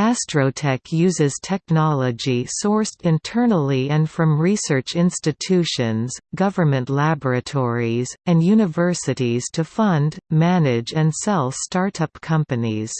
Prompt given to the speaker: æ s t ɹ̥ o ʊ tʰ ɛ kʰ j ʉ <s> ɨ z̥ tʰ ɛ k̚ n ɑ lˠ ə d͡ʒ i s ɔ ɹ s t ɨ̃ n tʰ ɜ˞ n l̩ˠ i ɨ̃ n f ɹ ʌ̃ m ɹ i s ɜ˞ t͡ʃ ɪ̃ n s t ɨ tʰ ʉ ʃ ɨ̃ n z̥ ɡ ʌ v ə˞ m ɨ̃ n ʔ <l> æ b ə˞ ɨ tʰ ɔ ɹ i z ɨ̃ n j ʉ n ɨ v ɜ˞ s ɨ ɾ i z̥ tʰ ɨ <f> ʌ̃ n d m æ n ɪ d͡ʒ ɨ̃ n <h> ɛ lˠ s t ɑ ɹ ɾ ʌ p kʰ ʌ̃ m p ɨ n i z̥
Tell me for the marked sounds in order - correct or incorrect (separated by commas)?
incorrect, correct, correct, incorrect